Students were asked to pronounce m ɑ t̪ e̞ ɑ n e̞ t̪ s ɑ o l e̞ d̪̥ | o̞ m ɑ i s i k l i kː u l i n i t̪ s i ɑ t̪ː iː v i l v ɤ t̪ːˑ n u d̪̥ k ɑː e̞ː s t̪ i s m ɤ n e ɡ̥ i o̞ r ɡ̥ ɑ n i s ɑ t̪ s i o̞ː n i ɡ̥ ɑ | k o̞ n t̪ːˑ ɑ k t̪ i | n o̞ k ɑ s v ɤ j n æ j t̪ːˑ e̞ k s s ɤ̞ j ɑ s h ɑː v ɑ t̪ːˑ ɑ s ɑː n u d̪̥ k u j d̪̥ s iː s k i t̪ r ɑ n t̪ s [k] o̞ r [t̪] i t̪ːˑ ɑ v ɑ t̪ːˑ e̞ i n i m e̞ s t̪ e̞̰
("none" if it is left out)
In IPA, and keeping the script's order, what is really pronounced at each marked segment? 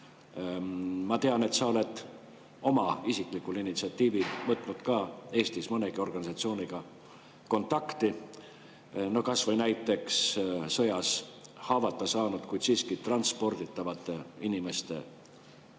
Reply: p, d̪

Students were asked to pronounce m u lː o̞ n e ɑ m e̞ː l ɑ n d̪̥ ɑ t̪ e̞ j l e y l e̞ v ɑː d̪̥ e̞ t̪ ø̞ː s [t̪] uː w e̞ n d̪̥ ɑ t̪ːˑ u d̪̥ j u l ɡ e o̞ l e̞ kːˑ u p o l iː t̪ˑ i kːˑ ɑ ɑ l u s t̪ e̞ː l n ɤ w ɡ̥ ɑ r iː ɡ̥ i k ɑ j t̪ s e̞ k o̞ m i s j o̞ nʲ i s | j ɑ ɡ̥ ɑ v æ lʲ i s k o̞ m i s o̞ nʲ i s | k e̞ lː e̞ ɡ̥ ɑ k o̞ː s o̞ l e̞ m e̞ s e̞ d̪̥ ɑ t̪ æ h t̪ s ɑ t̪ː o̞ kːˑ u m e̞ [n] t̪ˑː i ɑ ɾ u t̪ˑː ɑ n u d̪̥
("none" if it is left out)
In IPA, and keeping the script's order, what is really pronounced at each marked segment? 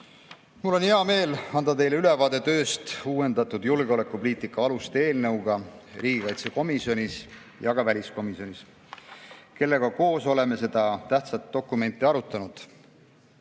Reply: t̪, n

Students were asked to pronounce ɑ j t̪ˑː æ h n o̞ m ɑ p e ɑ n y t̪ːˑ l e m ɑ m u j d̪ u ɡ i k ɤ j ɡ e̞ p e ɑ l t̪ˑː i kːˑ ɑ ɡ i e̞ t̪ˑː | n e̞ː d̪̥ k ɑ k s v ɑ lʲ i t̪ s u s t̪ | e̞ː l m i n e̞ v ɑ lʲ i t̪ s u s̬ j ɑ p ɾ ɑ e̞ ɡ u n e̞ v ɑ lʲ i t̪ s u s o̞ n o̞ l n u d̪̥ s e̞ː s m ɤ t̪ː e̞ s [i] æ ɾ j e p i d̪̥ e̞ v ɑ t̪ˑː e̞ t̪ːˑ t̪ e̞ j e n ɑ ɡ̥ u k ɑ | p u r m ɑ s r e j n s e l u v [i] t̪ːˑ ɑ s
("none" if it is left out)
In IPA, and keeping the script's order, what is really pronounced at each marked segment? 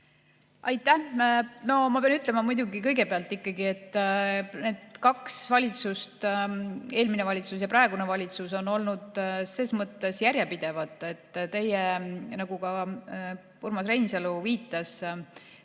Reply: j, iː

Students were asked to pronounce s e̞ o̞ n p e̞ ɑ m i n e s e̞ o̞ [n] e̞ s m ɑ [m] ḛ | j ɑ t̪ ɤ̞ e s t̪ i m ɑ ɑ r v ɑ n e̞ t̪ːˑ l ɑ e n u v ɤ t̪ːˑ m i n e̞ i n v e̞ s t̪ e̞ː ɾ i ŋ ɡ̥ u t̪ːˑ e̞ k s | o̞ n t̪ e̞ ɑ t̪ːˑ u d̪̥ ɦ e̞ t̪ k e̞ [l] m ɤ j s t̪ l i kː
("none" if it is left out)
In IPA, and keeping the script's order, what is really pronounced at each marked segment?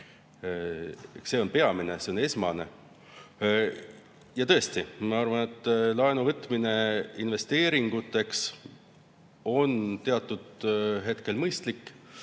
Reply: n, n, l

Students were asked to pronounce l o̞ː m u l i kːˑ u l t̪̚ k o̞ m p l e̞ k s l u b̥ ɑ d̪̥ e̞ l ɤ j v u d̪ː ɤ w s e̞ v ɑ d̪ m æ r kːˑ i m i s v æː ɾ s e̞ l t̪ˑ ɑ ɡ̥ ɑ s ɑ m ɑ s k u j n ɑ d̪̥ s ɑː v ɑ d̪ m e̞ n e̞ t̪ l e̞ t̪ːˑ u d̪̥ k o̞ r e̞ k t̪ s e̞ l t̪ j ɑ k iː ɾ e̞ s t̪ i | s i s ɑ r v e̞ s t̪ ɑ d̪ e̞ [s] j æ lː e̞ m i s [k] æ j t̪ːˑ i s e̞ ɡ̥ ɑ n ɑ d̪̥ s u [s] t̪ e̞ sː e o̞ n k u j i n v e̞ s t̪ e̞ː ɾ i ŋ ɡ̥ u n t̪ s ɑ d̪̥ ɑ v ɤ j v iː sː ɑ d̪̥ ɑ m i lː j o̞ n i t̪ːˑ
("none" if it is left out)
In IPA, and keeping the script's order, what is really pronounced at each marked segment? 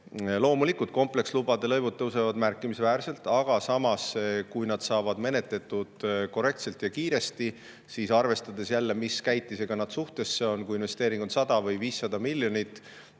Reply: s, k, h

